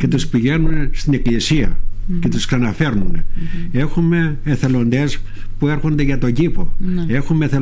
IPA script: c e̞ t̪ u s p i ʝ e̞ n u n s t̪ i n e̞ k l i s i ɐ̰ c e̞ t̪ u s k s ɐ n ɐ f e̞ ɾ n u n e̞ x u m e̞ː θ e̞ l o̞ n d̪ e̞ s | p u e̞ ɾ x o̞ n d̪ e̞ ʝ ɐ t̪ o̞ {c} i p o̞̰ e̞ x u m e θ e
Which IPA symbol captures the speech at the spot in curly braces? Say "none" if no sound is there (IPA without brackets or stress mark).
ɟ